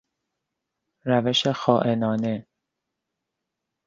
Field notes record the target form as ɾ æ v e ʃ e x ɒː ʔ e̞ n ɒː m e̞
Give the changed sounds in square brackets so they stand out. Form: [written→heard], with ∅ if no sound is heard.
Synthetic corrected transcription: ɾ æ v e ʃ e x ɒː ʔ e̞ n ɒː [m→n] e̞